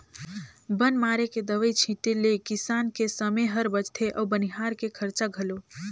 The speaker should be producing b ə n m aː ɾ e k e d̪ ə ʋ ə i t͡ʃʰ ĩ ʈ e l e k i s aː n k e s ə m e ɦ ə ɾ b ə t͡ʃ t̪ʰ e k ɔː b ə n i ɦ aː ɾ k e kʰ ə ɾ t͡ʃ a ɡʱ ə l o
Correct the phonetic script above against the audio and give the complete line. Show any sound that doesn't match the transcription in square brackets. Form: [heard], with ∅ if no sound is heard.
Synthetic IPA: b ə n m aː ɾ e k e d̪ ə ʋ ə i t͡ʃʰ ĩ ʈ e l e k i s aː n k e s ə m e ɦ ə ɾ b ə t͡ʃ t̪ʰ e [ʔ] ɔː b ə n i ɦ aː ɾ k e kʰ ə ɾ t͡ʃ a ɡʱ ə l o

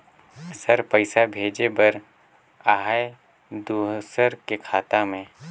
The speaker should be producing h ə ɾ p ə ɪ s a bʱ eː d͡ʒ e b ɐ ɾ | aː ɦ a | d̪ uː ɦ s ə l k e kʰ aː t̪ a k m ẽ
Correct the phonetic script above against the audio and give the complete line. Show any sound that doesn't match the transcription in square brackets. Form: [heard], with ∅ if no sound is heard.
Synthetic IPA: [s] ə ɾ p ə ɪ s a bʱ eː d͡ʒ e b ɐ ɾ | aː ɦ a | d̪ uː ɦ s ə [ɾ] k e kʰ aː t̪ a [∅] m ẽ

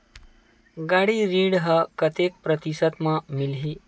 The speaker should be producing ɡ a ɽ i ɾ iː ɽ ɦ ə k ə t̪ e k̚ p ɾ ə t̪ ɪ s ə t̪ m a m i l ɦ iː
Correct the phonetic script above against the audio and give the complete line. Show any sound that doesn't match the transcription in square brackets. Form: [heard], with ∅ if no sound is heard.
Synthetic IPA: ɡ a ɽ i ɾ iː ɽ ɦ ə k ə t̪ e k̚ p ɾ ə t̪ [i] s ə t̪ m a m i l ɦ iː

